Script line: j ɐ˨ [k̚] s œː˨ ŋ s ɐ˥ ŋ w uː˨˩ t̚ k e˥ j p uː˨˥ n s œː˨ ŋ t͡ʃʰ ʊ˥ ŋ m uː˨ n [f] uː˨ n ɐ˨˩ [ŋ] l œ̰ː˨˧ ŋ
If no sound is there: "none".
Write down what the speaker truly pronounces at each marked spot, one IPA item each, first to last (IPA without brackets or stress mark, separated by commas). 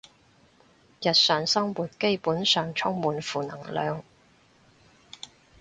t̚, f, ŋ